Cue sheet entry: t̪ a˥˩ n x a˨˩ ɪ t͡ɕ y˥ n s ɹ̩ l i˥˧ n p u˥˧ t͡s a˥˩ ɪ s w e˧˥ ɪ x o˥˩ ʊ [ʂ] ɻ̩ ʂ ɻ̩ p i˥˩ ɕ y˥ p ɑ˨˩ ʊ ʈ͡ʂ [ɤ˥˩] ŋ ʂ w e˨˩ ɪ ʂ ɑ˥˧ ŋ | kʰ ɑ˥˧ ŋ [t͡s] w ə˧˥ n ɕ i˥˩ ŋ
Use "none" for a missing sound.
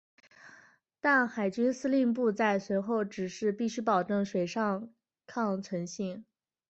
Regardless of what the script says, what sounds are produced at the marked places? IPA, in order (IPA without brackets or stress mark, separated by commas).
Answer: ʈ͡ʂ, ɤ˥˩, t͡sʰ